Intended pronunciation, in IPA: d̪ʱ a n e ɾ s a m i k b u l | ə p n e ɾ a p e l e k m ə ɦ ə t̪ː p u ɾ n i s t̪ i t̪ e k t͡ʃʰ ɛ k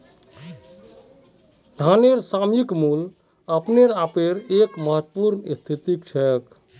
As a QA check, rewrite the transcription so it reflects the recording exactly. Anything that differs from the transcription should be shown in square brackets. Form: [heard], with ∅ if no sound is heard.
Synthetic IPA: d̪ʱ a n e ɾ s a m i k [m] u l | ə p n e ɾ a p e [ɾ] e k m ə ɦ ə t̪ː p u ɾ n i s [t̪ʰ] i t̪ [i] k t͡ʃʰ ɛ k

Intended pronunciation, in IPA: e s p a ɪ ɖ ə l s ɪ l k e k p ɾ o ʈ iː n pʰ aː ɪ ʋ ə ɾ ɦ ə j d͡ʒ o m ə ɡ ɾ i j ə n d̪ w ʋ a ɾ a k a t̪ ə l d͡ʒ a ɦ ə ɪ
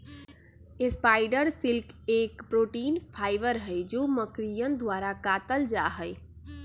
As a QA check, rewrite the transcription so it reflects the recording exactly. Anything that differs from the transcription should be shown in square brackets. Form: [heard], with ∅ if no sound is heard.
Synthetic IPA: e s p a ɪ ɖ ə [ɾ] s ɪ l k e k p ɾ o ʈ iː n pʰ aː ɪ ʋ ə ɾ ɦ ə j d͡ʒ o m ə [k] ɾ i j ə n d̪ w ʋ a ɾ a k a t̪ ə l d͡ʒ a ɦ ə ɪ

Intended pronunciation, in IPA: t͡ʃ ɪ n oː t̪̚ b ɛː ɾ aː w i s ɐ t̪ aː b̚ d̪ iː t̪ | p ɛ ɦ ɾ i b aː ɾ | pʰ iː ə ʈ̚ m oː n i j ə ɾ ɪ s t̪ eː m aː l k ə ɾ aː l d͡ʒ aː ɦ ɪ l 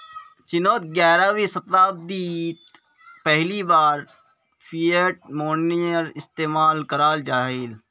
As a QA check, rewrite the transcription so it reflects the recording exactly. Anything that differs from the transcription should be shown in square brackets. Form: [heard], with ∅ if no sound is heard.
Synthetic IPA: t͡ʃ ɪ n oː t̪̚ [ɡ] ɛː ɾ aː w i s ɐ t̪ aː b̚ d̪ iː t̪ | p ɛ ɦ [l] i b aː ɾ | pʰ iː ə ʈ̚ m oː n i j ə ɾ ɪ s t̪ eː m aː l k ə ɾ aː l d͡ʒ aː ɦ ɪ l

